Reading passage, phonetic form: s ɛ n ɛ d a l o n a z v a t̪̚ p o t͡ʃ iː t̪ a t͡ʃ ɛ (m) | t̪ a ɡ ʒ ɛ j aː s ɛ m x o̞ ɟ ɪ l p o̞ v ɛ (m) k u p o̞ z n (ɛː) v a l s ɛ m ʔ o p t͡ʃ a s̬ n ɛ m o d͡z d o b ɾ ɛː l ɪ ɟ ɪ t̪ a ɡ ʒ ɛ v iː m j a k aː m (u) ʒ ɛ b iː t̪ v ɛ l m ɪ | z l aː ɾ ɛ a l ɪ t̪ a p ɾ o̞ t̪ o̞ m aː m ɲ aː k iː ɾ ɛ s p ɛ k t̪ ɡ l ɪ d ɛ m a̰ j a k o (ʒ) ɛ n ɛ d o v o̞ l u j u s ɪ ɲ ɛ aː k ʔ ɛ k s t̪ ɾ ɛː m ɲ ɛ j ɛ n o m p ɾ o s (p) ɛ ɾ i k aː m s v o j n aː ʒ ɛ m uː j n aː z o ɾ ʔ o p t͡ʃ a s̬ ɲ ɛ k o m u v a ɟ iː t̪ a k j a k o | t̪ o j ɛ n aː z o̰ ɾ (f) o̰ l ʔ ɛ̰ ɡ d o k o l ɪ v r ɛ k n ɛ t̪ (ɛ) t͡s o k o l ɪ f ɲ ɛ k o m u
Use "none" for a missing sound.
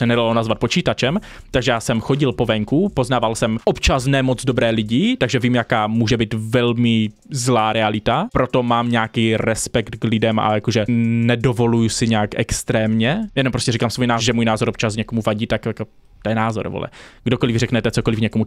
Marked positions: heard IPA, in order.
m, ŋ, aː, uː, ʒ, c, v, ɛ

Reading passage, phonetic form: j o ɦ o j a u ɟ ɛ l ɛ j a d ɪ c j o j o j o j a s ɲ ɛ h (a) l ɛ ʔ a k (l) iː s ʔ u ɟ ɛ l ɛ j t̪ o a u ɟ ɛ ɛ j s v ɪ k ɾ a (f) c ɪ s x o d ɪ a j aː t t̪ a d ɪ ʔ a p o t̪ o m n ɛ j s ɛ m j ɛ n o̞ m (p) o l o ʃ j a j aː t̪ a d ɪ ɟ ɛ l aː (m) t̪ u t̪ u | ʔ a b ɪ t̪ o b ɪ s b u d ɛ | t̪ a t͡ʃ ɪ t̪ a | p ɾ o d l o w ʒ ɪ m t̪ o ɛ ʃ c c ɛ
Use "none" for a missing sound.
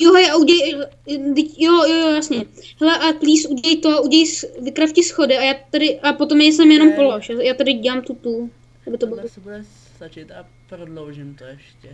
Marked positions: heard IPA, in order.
ɛ, l, f, p, m

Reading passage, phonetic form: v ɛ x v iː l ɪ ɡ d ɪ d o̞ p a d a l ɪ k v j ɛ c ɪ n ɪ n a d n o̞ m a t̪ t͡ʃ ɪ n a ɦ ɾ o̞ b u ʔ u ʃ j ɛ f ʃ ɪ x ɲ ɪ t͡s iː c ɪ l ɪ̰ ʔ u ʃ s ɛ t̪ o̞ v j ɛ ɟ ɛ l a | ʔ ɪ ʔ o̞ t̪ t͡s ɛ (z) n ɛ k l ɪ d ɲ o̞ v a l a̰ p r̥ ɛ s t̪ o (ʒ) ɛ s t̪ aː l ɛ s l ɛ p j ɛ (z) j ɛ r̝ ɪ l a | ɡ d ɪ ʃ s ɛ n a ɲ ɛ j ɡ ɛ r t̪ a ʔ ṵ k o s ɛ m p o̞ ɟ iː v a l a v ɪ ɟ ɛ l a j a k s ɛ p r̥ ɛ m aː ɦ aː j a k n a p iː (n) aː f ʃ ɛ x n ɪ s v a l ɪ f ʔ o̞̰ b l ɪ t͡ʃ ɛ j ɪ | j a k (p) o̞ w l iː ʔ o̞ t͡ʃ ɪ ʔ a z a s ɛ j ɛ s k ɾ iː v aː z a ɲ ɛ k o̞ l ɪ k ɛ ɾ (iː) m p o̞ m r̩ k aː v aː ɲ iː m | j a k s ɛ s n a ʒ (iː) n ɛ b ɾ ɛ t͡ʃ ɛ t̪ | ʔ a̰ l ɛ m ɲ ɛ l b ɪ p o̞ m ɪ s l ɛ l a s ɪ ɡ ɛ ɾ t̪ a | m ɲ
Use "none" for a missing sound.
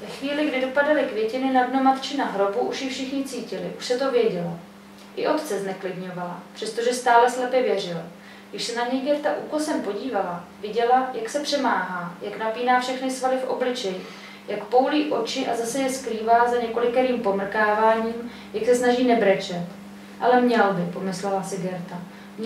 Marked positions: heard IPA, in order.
z, ʒ, v, n, p, iː, iː

